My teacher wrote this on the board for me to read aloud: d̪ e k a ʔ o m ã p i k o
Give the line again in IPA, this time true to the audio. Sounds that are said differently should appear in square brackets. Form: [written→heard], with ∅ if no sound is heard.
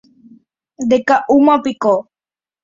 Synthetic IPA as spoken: d̪ e k a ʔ [o→u] m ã p i k o